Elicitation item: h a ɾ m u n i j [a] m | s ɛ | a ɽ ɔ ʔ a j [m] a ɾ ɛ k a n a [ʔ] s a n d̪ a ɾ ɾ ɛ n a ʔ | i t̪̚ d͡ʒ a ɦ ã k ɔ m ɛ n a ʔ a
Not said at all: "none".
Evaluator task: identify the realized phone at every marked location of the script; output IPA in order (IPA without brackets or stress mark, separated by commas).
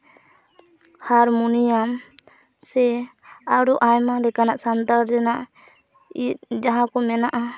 a, m, ʔ